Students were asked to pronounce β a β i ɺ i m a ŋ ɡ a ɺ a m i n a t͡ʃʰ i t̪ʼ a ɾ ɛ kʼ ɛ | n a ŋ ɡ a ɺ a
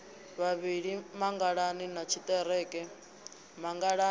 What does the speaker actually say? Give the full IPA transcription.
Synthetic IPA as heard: β a β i ɺ i m a ŋ ɡ a ɺ a n i n a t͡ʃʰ i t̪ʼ ɛ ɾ ɛ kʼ ɛ | m a ŋ ɡ a ɺ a